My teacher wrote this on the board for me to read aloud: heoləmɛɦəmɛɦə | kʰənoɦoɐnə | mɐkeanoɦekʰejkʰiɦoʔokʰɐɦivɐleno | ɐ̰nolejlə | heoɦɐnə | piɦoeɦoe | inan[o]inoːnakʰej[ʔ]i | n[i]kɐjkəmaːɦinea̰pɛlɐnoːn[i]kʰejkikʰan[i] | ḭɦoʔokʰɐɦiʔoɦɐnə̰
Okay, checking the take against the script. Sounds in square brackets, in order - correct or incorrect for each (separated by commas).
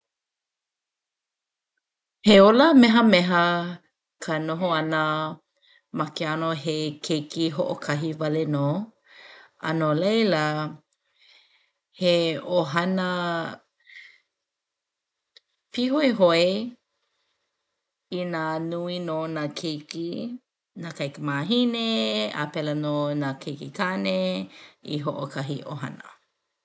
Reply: incorrect, incorrect, incorrect, incorrect, incorrect